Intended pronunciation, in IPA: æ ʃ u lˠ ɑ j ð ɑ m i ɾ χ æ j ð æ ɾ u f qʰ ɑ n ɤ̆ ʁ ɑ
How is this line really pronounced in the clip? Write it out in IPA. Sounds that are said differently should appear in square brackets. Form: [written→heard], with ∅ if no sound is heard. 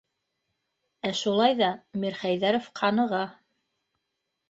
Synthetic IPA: æ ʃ u lˠ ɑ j ð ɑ m i ɾ χ æ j ð æ ɾ [u→o] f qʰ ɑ n ɤ̆ ʁ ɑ

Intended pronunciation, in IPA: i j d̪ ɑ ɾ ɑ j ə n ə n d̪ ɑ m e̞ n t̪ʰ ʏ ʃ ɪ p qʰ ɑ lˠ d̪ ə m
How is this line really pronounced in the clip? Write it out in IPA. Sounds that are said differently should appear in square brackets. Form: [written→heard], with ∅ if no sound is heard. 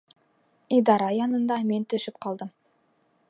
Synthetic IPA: i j d̪ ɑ ɾ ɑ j [ə→ɑ] n ə n d̪ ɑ m e̞ n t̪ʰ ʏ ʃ ɪ p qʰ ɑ lˠ d̪ ə m

